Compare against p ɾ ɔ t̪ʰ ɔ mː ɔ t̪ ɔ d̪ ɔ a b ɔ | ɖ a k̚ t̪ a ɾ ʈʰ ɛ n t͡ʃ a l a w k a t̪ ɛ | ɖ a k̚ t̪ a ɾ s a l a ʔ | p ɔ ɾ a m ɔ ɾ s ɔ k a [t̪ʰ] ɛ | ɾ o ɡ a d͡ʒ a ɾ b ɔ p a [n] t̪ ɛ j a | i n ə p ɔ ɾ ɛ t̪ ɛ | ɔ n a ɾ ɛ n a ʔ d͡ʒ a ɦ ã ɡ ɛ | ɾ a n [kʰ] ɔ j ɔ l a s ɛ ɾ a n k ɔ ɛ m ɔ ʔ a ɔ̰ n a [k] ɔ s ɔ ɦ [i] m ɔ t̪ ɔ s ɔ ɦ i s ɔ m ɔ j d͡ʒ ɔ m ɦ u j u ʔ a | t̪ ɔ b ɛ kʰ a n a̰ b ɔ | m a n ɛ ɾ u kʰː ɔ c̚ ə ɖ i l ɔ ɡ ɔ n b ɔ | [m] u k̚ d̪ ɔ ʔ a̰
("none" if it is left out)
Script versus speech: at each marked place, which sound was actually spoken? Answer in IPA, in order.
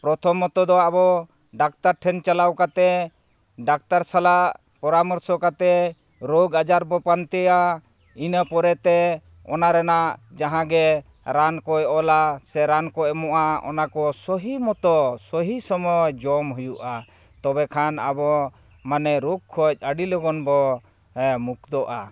t̪, n, k, k, i, m

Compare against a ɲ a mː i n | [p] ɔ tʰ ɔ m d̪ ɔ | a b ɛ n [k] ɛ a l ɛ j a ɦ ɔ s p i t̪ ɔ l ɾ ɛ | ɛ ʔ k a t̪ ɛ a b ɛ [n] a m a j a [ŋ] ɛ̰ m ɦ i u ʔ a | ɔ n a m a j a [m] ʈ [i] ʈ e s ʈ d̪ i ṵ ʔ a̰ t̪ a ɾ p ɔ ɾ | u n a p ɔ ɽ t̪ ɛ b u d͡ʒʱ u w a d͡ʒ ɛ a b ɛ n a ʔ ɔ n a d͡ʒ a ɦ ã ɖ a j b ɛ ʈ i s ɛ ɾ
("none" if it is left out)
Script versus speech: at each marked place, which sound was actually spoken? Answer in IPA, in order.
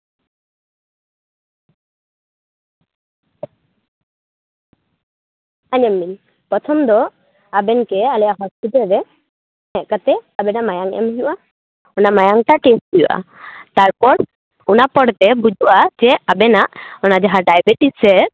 p, k, n, ŋ, ŋ, a

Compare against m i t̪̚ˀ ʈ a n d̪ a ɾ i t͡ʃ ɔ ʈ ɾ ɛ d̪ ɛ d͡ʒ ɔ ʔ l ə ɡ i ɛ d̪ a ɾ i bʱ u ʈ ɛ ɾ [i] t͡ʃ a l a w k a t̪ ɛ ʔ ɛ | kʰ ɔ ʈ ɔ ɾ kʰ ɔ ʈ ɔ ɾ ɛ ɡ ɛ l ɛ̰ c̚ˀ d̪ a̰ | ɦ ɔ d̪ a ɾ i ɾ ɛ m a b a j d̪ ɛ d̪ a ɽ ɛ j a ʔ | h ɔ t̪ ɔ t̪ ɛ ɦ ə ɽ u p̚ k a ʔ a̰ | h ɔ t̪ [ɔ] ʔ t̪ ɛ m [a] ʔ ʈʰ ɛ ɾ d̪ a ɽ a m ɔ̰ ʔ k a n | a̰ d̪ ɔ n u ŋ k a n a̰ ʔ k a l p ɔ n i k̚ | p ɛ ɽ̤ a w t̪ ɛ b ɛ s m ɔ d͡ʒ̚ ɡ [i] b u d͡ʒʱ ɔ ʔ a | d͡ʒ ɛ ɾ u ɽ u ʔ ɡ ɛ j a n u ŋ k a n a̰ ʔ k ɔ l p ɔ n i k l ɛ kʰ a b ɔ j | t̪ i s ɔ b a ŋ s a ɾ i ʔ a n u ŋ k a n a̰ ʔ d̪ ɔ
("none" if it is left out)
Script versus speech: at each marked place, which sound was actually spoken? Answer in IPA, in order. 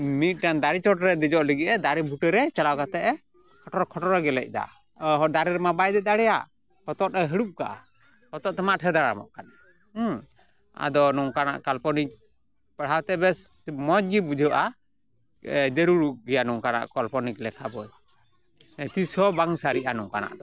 ɛ, ɔ, a, i

